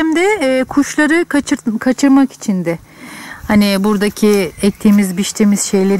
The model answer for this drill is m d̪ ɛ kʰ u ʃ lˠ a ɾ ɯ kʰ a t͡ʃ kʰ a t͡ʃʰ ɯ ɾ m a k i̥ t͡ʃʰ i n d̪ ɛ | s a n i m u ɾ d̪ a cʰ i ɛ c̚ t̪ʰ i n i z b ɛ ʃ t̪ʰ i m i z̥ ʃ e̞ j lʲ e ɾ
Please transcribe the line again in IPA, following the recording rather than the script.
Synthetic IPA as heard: m d̪ ɛ kʰ u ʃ lˠ a ɾ ɯ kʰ a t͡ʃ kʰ a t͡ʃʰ ɯ ɾ m a k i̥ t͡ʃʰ i n d̪ ɛ | h a n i b u ɾ d̪ a cʰ i ɛ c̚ t̪ʰ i m i z b i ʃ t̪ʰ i m i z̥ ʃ e̞ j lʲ e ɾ